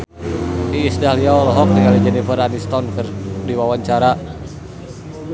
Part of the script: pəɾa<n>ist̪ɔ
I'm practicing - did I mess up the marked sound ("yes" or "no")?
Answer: no